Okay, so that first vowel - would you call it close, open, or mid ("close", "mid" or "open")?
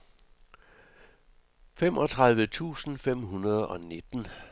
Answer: mid